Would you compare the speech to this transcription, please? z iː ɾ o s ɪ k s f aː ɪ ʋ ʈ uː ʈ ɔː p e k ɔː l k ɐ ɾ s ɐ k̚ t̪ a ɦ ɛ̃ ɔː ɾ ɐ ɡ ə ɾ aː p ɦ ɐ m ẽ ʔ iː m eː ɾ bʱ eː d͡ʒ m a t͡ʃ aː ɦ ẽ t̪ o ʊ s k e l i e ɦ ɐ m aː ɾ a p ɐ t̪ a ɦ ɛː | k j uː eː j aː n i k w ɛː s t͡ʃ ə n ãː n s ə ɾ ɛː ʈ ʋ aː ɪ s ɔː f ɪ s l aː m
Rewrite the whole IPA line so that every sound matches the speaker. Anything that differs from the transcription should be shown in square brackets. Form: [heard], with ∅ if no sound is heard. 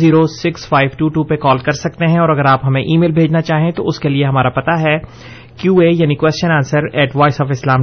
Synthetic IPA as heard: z iː ɾ o s ɪ k s f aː ɪ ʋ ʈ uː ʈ [uː] p e k ɔː l k ɐ ɾ s ɐ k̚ t̪ [e] ɦ ɛ̃ ɔː ɾ ɐ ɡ ə ɾ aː p ɦ ɐ m ẽ ʔ iː m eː [l] bʱ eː d͡ʒ [n] a t͡ʃ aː ɦ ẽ t̪ o ʊ s k e l i e ɦ ɐ m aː ɾ a p ɐ t̪ a ɦ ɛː | k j uː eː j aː n i k w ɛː s t͡ʃ ə n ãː n s ə ɾ ɛː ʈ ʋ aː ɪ s ɔː f ɪ s l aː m